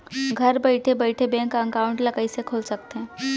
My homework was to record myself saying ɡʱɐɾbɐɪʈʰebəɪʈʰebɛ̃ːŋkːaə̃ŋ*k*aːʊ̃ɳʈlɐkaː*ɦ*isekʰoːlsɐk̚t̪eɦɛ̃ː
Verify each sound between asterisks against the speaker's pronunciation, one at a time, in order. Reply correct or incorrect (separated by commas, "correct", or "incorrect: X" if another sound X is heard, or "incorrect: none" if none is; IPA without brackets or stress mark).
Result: correct, incorrect: none